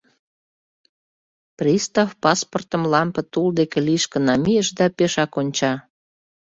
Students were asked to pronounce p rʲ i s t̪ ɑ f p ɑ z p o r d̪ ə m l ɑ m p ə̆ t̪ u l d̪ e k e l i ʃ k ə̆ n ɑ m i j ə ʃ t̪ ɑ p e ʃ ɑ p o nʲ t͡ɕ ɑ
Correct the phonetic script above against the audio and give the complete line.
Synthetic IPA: p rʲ i s t̪ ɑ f p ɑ s p o r t̪ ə m l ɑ m p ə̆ t̪ u l d̪ e k e l i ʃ k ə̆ n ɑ m i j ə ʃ d̪ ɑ p e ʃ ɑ k o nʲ t͡ɕ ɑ